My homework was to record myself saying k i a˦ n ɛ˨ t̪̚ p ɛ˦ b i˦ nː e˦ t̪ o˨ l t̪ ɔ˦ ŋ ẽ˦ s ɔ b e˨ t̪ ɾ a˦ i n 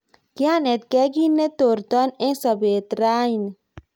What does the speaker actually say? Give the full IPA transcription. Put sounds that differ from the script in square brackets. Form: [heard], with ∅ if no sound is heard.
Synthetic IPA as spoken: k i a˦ n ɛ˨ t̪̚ [k] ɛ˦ [ɡ] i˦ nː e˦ t̪ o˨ [ɾ] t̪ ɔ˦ [n] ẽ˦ s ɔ b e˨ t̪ ɾ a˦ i n